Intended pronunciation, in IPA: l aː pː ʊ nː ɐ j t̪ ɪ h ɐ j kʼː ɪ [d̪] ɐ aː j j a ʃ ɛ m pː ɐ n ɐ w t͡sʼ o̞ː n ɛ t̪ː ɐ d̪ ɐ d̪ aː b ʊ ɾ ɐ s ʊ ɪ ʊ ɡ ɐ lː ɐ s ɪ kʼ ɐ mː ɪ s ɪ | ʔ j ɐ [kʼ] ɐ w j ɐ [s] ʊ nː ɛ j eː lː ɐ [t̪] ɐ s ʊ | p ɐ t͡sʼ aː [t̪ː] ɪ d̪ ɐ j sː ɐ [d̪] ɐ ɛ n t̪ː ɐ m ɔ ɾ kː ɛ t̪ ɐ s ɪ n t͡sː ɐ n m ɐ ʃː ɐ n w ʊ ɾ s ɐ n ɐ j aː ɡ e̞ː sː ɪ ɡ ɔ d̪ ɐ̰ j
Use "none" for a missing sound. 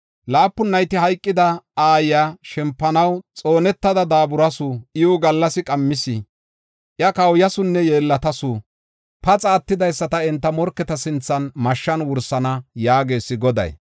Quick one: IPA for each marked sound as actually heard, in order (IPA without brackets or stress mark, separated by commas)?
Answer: d̪, k, s, t̪, t̪ː, t̪